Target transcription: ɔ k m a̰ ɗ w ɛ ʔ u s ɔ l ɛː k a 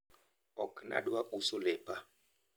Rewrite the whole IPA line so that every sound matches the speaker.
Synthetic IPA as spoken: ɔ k n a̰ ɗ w a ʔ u s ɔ l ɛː p a